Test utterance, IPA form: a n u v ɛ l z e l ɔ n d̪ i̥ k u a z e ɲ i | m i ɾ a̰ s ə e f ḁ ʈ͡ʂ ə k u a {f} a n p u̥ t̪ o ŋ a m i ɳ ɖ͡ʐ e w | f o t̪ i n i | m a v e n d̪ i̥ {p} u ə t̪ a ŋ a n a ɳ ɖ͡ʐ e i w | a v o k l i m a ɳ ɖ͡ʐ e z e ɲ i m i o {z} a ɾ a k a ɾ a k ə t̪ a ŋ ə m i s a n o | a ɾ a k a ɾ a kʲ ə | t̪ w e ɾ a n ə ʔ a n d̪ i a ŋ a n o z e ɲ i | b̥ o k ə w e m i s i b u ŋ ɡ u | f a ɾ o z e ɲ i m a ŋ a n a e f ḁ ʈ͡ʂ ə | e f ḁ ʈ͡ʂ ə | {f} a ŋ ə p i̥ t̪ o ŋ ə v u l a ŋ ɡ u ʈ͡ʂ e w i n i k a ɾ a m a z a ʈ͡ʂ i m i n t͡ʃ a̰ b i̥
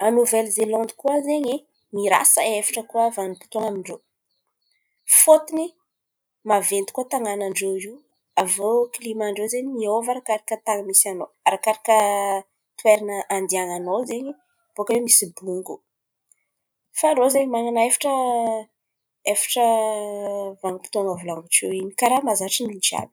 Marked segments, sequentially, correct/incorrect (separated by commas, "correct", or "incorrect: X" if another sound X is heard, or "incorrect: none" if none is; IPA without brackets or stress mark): incorrect: v, incorrect: k, incorrect: v, incorrect: v